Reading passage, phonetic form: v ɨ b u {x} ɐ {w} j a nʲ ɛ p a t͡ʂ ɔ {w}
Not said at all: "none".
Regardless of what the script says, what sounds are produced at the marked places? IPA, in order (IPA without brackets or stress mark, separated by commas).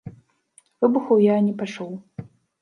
x, w, w